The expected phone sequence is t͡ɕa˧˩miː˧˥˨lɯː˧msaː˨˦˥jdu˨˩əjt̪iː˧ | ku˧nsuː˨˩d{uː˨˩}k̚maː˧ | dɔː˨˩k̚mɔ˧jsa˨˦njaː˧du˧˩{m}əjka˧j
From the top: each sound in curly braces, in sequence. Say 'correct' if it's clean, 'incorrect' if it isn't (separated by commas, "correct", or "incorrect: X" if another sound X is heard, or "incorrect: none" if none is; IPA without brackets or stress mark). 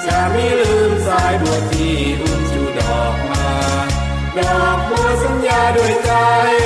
incorrect: ɔː˨˩, incorrect: none